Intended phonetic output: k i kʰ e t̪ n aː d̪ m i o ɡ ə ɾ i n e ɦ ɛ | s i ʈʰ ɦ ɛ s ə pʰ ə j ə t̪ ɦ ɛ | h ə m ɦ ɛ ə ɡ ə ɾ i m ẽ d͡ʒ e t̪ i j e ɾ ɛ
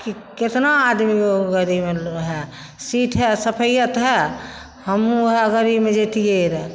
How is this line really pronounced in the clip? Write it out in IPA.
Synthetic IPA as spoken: k i k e t̪ n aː d̪ m i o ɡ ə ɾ i m e ɦ ɛ | s i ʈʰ ɦ ɛ s ə pʰ ə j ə t̪ ɦ ɛ | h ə m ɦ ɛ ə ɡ ə ɾ i m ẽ d͡ʒ e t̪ i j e ɾ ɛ